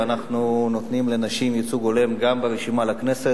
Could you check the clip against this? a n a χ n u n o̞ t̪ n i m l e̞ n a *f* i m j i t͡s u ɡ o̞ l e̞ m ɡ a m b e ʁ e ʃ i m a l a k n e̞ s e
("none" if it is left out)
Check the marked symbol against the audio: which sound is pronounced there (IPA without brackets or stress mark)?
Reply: ʃ